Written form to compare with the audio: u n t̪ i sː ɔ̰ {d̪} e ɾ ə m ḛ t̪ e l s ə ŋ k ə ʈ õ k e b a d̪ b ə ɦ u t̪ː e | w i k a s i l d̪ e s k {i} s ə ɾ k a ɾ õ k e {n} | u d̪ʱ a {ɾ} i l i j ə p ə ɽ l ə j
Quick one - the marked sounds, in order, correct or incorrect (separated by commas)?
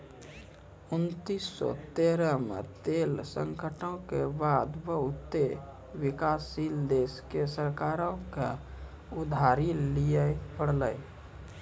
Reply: incorrect, incorrect, incorrect, correct